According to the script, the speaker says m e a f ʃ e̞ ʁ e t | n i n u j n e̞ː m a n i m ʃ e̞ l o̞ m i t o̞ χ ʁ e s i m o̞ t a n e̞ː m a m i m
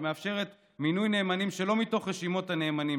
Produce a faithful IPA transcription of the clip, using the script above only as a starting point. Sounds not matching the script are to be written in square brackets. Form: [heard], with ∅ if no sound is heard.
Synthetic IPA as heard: m e a f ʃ e̞ ʁ e t | [m] i n u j n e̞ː m a n i m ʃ e̞ l o̞ m i t o̞ χ ʁ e [ʃ] i m o̞ t a n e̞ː m a [n] i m

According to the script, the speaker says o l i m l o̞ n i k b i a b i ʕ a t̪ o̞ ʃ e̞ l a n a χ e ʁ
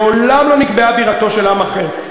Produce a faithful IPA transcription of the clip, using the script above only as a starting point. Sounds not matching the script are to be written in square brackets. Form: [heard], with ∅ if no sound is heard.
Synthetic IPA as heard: o l [a] m l o̞ n i k b [e] a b i [ʁ] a t̪ o̞ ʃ e̞ l a [m] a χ e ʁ

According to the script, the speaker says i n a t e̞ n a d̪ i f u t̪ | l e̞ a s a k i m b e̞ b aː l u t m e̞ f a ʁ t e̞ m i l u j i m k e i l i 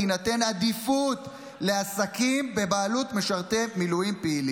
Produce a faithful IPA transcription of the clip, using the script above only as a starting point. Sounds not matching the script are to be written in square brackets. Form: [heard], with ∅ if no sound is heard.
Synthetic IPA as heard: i n a t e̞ n a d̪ i f u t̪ | l e̞ a s a k i m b e̞ b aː l u t m e̞ [ʃ] a ʁ t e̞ m i l u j i m [p] e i l i

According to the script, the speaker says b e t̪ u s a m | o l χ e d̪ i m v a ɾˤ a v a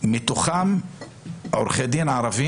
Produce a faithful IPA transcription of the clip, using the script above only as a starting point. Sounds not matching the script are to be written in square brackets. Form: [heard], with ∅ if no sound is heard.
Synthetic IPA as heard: [m] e t̪ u [χ] a m | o [ɾ] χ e d̪ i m [ʕ] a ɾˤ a v [i]

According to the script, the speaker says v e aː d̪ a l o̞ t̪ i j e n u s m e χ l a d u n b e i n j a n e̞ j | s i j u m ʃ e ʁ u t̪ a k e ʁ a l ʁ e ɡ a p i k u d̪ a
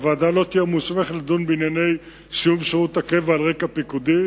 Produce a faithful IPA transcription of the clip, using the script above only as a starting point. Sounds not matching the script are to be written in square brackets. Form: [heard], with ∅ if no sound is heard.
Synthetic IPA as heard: v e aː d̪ a l o̞ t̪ i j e [m] u s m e χ l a d u n b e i n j a n e̞ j | s i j u m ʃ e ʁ u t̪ a k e [v] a l ʁ e [k] a p i k u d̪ [i]

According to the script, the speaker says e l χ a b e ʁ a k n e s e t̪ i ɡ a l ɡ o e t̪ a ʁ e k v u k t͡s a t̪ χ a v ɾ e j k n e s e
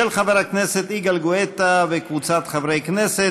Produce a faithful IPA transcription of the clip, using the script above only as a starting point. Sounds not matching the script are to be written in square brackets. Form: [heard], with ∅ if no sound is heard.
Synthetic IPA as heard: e l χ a [v] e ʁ a k n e s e t̪ i ɡ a l ɡ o e t̪ a [v] e k v u [∅] t͡s a t̪ χ a v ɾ e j k n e s e

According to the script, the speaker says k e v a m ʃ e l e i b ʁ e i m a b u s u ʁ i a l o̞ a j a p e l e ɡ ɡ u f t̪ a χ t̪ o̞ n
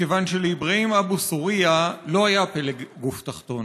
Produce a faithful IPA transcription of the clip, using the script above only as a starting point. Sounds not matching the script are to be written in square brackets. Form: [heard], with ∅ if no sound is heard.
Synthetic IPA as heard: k e v a [n] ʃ e l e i b ʁ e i m a b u s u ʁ i a l o̞ a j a p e l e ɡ ɡ u f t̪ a χ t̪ o̞ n

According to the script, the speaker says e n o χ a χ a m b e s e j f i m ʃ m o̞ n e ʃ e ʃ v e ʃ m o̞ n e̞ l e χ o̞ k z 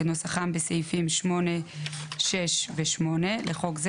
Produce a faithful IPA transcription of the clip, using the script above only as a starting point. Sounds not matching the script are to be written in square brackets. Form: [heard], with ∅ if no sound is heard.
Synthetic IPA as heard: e n o [s] a χ a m b e s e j f i m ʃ m o̞ n e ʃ e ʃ v e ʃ m o̞ n e̞ l e χ o̞ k z

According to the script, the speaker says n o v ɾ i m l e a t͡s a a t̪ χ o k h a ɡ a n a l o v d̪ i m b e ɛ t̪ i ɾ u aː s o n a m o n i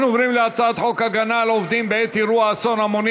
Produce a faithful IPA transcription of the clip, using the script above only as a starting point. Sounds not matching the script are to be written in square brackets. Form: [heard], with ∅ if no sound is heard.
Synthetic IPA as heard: n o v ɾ i m l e a t͡s a a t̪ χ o k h a ɡ a n a l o v d̪ i m b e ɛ t̪ i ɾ u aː s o n a m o n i

